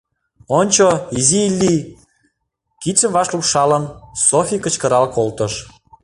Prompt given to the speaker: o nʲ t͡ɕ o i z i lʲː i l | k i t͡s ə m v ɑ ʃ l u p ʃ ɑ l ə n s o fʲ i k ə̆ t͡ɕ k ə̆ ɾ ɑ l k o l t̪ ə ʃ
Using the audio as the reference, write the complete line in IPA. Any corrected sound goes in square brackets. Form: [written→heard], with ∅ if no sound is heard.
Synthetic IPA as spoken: o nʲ t͡ɕ o i z i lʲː i [l→∅] | k i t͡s ə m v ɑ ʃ l u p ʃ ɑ l ə n s o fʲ i k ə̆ t͡ɕ k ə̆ ɾ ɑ l k o l t̪ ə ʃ